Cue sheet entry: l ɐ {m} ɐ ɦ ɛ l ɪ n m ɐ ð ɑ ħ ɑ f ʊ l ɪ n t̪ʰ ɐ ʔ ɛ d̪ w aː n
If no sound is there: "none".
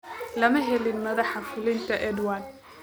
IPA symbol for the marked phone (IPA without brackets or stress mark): m